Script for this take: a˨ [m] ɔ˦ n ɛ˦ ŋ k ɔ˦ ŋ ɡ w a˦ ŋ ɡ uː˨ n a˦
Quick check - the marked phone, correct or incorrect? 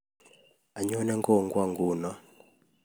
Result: incorrect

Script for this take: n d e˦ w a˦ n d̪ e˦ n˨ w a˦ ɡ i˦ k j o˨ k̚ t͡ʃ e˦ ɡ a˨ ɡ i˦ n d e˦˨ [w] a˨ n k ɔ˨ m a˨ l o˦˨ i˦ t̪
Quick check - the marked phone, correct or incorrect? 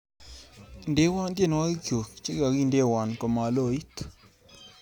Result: correct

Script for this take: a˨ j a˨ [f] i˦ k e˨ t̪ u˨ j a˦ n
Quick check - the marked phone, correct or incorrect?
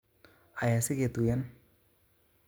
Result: incorrect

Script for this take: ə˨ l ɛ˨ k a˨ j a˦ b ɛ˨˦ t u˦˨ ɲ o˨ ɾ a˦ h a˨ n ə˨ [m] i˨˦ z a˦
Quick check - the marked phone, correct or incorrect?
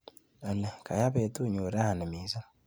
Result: correct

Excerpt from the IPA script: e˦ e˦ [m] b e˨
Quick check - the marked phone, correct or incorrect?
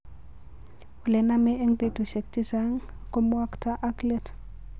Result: incorrect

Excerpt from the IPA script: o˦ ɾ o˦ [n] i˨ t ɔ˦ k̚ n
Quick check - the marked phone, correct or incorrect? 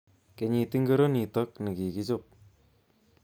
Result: correct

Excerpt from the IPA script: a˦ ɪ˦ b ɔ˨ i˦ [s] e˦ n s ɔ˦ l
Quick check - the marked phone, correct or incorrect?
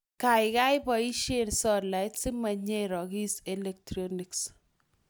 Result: incorrect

